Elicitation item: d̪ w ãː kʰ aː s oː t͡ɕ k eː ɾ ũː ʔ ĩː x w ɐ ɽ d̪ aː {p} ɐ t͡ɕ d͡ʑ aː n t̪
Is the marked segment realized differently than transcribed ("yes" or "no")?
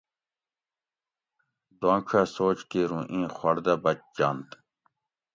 yes